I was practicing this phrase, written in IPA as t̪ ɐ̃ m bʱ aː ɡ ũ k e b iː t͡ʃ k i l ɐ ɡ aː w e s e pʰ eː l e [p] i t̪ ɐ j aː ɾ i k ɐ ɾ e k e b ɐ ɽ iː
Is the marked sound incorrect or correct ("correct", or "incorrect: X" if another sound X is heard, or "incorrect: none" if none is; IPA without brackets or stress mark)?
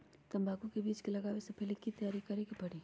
incorrect: k